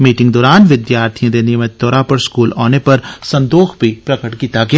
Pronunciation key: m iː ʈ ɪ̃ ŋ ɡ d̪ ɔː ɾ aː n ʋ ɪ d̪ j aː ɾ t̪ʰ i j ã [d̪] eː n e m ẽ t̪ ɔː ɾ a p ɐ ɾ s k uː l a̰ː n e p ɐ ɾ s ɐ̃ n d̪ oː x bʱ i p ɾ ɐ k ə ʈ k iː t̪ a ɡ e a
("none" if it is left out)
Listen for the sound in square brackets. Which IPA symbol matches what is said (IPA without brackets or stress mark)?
d̪